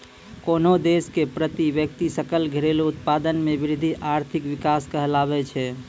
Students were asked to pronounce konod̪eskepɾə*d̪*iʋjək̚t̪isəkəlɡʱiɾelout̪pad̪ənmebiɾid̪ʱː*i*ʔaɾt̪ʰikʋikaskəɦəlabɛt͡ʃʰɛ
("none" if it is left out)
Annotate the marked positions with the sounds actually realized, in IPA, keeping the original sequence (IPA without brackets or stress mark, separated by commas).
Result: t̪, i